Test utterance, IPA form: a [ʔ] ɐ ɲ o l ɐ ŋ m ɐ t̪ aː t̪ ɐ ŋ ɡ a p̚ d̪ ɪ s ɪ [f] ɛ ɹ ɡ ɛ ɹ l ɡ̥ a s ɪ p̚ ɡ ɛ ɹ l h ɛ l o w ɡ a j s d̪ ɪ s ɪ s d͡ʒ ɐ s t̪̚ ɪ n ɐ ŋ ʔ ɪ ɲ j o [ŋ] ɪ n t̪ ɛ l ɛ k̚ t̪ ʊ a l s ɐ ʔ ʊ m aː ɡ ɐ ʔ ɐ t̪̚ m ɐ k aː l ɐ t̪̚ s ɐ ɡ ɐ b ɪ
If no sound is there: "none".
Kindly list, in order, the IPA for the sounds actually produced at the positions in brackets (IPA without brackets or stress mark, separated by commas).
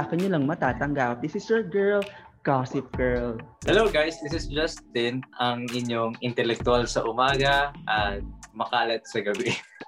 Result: k, s, ŋ